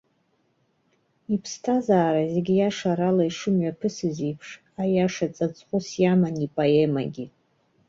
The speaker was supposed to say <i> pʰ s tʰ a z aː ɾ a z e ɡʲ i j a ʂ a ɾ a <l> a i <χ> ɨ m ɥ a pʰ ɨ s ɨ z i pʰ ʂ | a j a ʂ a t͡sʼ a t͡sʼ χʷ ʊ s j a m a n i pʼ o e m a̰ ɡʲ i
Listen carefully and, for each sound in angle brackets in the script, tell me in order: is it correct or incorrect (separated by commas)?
correct, correct, incorrect